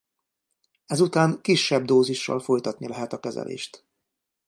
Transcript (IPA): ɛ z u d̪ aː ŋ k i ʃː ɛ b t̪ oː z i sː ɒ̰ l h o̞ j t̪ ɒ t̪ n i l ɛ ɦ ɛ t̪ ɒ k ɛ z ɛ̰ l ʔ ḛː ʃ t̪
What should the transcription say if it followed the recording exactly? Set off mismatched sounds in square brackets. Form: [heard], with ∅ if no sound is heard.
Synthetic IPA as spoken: ɛ z u [t̪] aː ŋ k i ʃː ɛ b [d̪] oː z i [ʃː] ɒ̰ l [f] o̞ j t̪ ɒ t̪ n i l ɛ ɦ ɛ t̪ ɒ k ɛ z ɛ̰ l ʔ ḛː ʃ t̪